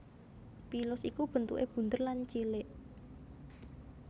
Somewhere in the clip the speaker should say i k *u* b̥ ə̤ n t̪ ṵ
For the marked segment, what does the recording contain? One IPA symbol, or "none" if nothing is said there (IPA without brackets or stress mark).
u